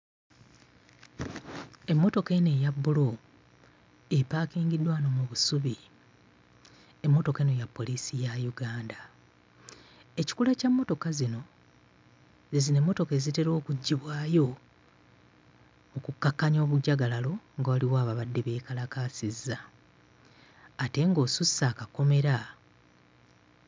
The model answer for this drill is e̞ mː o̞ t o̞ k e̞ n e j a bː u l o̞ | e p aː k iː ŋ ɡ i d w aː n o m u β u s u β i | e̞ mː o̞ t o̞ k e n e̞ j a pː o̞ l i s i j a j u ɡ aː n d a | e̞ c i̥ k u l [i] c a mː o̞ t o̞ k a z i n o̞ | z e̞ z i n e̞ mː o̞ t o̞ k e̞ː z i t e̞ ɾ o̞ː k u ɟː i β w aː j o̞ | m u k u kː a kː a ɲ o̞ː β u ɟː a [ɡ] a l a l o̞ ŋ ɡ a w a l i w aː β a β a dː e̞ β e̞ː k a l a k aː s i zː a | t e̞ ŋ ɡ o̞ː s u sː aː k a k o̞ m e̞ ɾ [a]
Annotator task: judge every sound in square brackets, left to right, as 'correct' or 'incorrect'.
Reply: incorrect: a, correct, correct

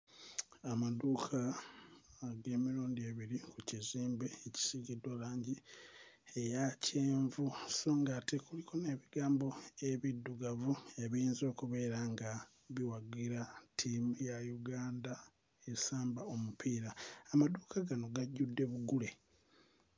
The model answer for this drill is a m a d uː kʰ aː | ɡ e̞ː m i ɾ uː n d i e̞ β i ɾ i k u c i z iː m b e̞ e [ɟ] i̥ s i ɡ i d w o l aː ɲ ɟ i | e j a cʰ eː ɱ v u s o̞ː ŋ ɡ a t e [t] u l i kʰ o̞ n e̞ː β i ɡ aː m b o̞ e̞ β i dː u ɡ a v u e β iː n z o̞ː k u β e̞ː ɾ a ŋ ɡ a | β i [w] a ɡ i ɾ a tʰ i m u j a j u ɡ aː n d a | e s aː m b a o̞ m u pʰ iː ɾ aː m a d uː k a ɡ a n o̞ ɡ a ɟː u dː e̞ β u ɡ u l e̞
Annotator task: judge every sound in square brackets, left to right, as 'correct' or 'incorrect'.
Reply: incorrect: c, incorrect: k, correct

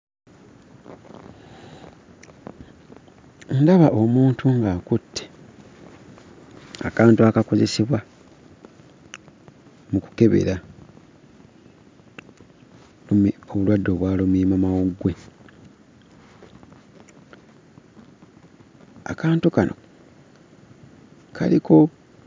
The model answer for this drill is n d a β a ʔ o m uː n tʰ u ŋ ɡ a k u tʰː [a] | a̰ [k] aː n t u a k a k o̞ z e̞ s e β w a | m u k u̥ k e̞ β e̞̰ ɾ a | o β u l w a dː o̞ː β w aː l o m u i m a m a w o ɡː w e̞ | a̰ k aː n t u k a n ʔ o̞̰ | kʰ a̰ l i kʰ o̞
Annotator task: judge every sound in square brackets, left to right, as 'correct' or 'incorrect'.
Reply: incorrect: e, correct

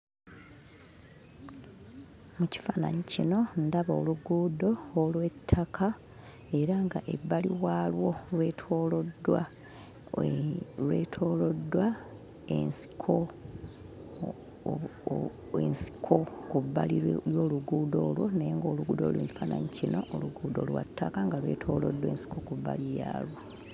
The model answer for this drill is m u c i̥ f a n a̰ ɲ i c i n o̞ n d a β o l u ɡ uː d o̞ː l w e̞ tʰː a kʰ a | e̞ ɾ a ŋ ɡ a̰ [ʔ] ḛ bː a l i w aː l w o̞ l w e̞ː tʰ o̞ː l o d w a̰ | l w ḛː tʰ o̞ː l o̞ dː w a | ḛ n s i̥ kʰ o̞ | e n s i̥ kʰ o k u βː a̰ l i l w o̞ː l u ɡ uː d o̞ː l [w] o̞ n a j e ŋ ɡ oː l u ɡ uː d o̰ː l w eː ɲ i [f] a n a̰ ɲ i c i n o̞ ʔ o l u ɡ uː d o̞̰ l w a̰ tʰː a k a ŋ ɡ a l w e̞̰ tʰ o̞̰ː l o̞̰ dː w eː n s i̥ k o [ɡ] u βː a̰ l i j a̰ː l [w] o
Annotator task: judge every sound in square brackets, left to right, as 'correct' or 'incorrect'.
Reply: correct, correct, correct, incorrect: k, correct

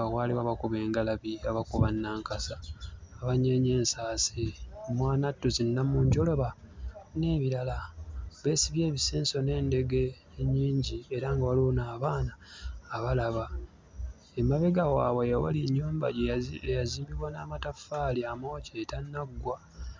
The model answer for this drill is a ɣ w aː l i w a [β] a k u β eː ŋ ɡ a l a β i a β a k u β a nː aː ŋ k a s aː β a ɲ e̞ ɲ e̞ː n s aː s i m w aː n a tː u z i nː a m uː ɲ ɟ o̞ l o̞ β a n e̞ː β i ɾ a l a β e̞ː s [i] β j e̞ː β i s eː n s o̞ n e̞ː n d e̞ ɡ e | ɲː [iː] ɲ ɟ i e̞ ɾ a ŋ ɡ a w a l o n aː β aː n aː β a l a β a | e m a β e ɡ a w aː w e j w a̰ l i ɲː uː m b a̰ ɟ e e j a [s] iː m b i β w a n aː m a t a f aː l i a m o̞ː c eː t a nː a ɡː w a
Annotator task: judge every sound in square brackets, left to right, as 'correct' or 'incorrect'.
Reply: correct, correct, correct, incorrect: z

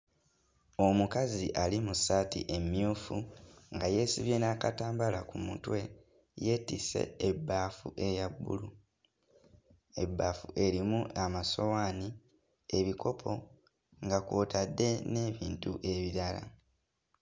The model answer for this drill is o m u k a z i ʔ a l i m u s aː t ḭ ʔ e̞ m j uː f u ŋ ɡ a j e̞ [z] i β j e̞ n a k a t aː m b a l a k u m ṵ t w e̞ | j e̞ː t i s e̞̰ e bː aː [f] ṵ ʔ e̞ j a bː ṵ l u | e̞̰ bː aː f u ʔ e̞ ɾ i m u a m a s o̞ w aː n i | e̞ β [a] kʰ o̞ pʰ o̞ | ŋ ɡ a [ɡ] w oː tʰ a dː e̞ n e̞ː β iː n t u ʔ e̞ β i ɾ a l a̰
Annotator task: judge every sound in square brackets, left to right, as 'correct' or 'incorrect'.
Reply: incorrect: s, correct, incorrect: i, incorrect: k

